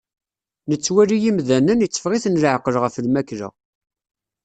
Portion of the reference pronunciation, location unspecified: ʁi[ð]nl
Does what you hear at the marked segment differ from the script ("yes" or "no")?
yes